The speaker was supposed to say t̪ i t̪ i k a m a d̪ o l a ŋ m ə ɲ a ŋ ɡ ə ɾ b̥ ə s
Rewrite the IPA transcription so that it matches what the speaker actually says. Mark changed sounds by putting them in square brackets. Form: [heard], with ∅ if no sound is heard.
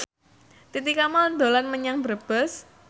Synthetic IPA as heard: t̪ i t̪ i k a m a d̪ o l a [n] m ə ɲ a ŋ [b] ə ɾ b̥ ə s